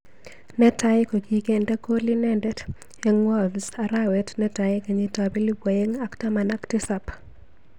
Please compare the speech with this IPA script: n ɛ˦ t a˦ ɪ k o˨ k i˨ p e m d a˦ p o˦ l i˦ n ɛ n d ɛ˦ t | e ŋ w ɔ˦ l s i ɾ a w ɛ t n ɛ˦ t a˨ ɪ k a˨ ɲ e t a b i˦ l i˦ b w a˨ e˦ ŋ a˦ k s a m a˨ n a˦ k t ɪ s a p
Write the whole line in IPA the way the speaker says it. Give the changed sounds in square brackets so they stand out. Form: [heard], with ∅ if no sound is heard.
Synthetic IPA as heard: n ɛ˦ t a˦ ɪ k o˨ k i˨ [k] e [n] d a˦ [k] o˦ l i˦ n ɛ n d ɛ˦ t | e ŋ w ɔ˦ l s [a] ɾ a w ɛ t n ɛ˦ t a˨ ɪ k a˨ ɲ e t a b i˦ l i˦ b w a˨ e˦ ŋ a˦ k [t] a m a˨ n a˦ k t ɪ s a p

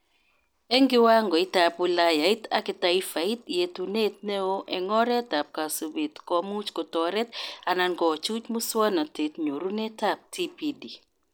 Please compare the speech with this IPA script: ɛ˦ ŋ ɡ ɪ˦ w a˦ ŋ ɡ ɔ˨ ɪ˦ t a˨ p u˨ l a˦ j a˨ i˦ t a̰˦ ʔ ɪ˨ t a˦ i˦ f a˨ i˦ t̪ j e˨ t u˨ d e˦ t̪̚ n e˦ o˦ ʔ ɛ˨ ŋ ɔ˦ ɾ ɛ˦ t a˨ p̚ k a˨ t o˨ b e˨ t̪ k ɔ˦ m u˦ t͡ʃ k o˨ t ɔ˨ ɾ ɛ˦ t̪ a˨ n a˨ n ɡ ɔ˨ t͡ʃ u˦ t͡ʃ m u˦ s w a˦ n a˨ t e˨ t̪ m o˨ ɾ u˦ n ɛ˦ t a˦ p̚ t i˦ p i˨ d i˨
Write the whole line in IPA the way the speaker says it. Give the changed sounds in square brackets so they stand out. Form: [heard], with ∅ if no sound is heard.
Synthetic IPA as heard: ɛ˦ ŋ ɡ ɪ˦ w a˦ ŋ ɡ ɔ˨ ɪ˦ t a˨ p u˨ l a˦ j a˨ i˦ t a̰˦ [k] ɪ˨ t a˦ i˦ f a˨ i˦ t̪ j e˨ t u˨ [n] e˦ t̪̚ n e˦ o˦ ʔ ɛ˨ ŋ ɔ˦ ɾ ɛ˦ t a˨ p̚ k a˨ [s] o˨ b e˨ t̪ k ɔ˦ m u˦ t͡ʃ k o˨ t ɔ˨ ɾ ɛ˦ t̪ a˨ n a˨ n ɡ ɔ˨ t͡ʃ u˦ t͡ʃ m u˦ s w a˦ n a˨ t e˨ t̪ [ɲ] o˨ ɾ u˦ n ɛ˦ t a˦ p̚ t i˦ p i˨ d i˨

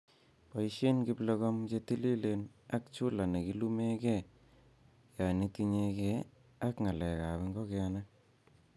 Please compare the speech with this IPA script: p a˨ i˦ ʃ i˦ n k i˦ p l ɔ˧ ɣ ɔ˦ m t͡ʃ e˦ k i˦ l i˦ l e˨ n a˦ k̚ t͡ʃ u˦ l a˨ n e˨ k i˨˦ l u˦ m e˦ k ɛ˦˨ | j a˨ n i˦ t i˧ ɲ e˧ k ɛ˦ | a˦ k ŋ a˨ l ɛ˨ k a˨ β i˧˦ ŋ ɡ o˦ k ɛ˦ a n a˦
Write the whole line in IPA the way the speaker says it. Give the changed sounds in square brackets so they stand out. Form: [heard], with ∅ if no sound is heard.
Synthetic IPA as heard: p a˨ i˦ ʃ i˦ n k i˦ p l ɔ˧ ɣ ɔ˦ m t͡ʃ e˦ [t] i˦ l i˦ l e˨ n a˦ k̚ t͡ʃ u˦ l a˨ n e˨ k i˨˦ l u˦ m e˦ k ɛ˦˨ | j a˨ n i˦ t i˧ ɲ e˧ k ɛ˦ | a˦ k ŋ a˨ l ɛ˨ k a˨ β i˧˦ ŋ ɡ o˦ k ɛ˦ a n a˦

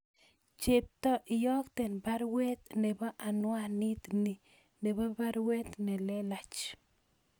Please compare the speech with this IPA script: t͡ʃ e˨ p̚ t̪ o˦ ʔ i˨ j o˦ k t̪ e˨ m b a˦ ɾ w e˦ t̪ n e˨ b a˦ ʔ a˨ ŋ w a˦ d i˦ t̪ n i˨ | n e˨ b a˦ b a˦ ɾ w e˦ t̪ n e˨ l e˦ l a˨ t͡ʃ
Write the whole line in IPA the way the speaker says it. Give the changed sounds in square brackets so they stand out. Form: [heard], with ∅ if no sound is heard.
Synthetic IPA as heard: t͡ʃ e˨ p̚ t̪ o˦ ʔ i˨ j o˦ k t̪ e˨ [n] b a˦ ɾ w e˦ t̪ n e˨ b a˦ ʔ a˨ [n] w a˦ [n] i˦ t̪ n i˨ | n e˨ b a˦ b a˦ ɾ w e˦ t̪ n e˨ l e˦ l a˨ t͡ʃ

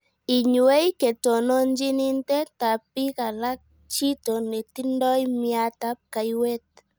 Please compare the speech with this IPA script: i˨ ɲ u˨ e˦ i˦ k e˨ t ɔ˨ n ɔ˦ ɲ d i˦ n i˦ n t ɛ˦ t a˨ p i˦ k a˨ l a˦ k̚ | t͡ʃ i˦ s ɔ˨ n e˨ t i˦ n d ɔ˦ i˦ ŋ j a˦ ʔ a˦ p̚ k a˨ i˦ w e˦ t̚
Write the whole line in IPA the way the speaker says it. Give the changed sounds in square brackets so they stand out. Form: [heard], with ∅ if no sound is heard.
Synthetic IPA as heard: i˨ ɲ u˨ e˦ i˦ k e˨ t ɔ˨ n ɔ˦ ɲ [d͡ʒ] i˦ n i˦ n t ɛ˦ t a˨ p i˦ k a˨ l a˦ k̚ | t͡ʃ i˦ [t] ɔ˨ n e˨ t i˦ n d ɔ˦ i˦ [m] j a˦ [t] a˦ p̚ k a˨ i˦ w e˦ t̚

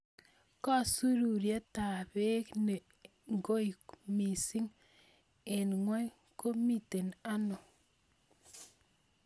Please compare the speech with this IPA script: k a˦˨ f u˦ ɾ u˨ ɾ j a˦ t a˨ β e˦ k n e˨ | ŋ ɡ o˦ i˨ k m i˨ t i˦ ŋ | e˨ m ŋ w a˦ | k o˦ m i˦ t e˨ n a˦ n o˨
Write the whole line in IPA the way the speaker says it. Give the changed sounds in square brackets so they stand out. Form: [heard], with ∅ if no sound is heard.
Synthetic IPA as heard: k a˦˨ [s] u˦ ɾ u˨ ɾ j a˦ t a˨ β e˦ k n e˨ | ŋ ɡ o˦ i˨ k m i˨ [s] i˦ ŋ | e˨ [n] ŋ w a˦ | k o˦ m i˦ t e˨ n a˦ n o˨

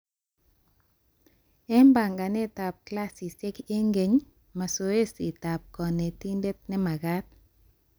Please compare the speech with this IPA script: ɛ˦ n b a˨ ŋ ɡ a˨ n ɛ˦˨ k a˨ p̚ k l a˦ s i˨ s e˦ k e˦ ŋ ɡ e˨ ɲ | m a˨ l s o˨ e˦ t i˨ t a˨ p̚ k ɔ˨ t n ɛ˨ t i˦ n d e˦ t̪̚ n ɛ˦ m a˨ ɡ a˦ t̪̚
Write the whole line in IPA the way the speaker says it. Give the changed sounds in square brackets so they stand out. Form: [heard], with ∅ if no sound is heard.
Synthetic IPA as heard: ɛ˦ [m] b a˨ ŋ ɡ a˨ n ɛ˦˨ [t] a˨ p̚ k l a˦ s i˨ s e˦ k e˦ ŋ ɡ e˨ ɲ | m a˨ [∅] s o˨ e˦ [s] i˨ t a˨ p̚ k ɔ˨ [∅] n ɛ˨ t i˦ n d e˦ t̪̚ n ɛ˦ m a˨ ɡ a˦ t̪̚

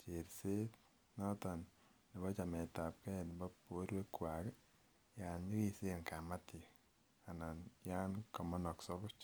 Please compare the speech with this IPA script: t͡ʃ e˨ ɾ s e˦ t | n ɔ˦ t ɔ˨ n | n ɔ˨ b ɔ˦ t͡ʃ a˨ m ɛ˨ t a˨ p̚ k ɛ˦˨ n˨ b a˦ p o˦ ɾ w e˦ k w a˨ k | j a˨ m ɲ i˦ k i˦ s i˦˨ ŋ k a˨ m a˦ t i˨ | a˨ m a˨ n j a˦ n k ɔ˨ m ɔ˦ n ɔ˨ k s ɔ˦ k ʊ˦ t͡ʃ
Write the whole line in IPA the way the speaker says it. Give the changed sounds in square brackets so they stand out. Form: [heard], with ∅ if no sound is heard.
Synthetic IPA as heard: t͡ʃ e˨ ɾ s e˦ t | n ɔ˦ t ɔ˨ n | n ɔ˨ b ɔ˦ t͡ʃ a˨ m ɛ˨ t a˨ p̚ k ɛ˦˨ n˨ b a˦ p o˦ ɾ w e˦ k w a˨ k | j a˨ [n] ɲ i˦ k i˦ s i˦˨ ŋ k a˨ m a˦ t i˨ | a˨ [n] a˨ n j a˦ n k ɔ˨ m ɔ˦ n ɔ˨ k s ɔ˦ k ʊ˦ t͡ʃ

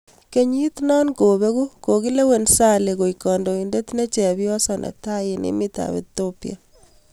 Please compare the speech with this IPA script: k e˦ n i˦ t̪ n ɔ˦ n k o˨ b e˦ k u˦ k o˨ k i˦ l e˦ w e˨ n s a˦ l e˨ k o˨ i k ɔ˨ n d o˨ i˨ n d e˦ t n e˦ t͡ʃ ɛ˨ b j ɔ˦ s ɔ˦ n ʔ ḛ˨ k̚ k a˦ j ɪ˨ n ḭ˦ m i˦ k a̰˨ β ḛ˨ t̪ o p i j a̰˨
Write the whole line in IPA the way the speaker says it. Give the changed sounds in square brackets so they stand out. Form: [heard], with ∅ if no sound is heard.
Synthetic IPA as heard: k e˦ [ɲ] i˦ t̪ n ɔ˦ n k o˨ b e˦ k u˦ k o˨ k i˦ l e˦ w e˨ n s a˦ l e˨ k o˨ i k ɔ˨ n d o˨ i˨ n d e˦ t n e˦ t͡ʃ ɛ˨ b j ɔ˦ s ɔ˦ n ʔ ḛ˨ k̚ [t] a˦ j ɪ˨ n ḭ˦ m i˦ [t] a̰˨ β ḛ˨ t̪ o p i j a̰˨

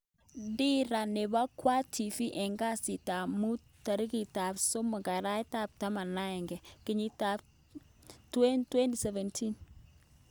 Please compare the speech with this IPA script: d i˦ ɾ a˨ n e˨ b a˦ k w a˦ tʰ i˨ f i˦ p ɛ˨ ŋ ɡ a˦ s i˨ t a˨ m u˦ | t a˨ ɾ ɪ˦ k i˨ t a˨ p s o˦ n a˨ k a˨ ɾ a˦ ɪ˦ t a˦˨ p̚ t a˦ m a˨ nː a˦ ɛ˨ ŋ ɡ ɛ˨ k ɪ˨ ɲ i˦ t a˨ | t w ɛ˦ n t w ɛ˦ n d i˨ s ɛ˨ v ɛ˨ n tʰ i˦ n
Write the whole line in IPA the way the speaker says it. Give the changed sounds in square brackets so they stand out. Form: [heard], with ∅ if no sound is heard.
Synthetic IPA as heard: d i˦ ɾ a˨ n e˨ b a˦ k w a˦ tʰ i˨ f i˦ [ʔ] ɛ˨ ŋ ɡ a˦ s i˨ t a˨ m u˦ | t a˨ ɾ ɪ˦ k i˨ t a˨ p s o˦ [m] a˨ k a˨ ɾ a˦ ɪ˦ t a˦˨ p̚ t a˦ m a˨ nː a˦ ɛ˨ ŋ ɡ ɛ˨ k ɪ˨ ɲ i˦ t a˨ | t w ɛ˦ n t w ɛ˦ n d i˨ s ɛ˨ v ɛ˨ n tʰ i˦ n

